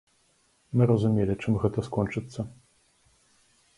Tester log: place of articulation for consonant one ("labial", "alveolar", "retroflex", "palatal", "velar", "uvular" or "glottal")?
labial